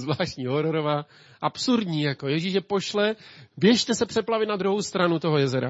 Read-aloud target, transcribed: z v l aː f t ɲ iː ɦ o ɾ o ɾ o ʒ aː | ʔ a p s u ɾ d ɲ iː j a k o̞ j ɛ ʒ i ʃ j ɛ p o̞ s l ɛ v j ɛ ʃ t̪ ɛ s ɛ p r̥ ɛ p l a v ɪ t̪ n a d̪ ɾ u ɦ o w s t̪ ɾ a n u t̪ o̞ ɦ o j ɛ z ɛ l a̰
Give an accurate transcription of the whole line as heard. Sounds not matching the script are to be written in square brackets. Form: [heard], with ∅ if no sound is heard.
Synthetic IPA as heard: z v l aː [ʃ] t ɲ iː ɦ o ɾ o ɾ o [v] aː | ʔ a p s u ɾ d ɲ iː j a k o̞ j ɛ ʒ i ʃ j ɛ p o̞ [ʃ] l ɛ v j ɛ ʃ t̪ ɛ s ɛ p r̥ ɛ p l a v ɪ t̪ n a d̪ ɾ u ɦ o w s t̪ ɾ a n u t̪ o̞ ɦ o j ɛ z ɛ [ɾ] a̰